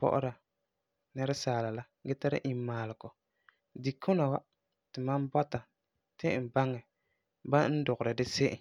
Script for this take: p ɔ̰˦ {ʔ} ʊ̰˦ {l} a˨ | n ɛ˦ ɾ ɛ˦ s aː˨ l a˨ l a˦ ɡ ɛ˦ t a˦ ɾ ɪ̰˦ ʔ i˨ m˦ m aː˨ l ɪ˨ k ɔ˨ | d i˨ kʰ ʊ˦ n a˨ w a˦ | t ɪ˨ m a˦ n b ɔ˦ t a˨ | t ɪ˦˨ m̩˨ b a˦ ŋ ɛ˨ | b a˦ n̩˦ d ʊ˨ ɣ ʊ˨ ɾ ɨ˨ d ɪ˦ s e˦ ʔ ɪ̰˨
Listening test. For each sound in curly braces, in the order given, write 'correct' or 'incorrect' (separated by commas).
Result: correct, incorrect